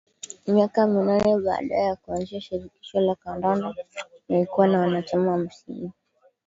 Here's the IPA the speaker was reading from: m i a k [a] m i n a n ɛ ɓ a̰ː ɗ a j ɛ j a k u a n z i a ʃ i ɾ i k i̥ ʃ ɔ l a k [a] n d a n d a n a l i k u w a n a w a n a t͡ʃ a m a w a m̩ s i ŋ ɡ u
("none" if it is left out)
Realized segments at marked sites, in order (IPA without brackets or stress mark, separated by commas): a, a